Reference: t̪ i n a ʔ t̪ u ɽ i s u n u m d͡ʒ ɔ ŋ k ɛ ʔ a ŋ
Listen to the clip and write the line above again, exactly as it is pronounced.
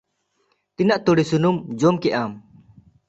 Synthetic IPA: t̪ i n a ʔ t̪ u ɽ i s u n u m d͡ʒ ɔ m k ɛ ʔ a m